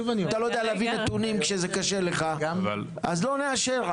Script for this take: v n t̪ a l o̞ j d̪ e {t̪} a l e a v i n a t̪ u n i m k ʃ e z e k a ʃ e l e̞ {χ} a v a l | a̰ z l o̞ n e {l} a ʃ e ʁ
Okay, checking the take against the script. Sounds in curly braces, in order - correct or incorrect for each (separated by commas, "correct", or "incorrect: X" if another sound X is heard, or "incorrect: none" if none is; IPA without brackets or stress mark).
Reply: incorrect: none, correct, incorrect: none